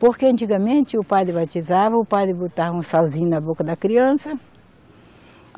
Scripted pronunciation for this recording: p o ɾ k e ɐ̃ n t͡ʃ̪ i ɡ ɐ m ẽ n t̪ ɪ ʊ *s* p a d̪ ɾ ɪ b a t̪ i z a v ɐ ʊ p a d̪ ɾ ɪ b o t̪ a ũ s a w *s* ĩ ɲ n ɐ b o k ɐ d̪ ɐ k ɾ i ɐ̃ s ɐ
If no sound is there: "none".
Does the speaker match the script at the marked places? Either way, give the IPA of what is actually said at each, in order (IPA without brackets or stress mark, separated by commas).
none, z